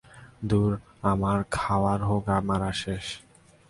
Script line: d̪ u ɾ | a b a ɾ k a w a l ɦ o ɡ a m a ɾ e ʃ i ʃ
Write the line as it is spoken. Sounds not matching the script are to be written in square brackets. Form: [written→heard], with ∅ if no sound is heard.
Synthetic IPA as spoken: d̪ u ɾ | a [b→m] a ɾ [k→kʰ] a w a [l→ɾ] ɦ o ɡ a m a ɾ [e→a] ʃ [i→e] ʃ